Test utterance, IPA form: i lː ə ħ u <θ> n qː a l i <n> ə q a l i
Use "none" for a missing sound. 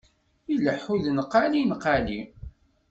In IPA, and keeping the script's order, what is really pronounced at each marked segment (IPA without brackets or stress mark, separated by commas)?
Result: ð, n